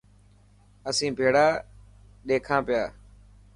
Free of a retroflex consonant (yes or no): no